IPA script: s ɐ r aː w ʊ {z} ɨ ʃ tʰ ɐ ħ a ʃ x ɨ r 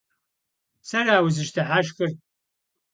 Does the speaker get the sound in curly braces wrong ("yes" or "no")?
no